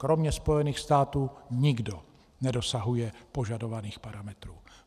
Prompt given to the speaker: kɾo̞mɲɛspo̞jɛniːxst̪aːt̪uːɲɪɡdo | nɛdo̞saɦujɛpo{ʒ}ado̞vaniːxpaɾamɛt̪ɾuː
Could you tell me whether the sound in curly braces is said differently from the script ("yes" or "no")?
no